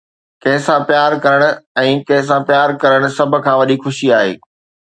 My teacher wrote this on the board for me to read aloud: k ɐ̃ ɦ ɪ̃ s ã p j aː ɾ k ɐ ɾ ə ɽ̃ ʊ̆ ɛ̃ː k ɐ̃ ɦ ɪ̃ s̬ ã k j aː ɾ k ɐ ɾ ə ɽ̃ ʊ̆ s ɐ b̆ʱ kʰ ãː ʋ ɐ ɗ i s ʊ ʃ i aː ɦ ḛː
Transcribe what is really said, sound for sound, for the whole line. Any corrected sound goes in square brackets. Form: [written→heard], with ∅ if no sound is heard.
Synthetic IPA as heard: k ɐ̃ ɦ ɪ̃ s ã p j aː ɾ k ɐ ɾ ə ɽ̃ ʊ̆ ɛ̃ː k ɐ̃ ɦ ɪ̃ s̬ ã [k→p] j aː ɾ k ɐ ɾ ə ɽ̃ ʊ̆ s ɐ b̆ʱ kʰ ãː ʋ ɐ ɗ i [s→x] ʊ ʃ i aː ɦ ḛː